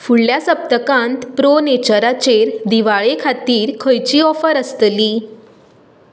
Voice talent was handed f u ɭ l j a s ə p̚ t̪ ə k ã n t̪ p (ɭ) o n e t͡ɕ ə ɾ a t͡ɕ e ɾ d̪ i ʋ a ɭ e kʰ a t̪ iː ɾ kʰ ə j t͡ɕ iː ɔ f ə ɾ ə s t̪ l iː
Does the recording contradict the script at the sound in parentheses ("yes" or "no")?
yes